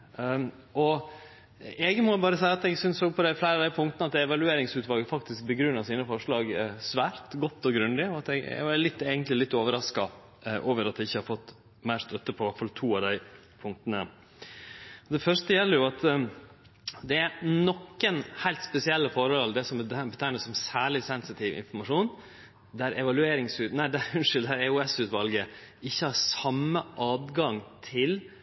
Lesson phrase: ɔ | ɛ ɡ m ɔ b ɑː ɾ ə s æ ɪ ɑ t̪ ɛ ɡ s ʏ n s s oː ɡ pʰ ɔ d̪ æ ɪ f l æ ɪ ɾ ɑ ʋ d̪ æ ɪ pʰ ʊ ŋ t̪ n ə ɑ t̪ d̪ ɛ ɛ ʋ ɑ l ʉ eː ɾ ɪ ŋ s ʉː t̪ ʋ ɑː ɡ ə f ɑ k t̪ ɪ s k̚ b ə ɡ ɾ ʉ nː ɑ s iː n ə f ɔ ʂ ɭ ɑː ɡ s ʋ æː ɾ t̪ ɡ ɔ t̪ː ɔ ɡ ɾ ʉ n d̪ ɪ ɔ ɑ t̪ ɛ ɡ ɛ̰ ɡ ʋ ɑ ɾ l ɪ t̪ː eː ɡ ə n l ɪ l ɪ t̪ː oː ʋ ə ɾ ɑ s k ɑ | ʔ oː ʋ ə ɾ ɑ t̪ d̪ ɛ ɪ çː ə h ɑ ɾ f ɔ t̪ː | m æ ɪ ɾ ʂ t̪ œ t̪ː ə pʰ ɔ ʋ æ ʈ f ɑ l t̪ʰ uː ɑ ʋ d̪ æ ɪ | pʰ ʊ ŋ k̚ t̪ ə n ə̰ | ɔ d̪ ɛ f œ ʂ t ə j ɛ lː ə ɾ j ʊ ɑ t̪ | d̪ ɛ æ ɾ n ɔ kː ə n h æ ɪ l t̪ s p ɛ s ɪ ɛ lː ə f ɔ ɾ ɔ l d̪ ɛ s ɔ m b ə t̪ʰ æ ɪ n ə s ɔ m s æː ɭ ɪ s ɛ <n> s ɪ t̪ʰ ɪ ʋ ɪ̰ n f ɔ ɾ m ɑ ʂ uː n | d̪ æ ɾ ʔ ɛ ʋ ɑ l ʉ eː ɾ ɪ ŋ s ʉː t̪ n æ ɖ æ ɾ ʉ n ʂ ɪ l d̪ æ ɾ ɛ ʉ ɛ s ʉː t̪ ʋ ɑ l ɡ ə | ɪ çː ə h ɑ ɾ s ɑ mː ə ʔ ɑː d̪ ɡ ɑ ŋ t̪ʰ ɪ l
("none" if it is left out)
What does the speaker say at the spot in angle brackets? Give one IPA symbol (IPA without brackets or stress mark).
n